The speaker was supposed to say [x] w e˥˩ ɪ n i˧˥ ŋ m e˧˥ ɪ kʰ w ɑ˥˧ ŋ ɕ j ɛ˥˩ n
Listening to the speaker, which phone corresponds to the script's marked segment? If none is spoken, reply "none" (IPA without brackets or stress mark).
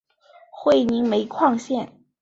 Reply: x